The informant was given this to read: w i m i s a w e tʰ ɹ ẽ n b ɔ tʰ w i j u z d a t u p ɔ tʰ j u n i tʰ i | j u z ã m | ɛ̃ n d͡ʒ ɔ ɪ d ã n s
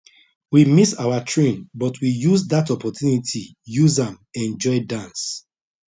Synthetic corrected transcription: w i m i s a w a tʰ ɹ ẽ n b ɔ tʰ w i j u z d a t ɔ p ɔ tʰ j u n i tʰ i | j u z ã m | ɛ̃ n d͡ʒ ɔ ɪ d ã n s